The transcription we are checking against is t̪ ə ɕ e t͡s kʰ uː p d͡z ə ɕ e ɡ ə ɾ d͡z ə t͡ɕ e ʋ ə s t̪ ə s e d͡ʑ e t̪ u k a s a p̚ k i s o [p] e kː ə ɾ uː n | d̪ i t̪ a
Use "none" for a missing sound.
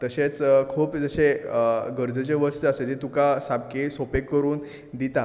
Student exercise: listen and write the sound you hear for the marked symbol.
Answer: p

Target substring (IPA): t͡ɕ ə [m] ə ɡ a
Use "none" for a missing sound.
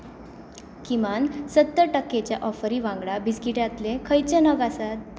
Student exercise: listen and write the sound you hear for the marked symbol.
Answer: n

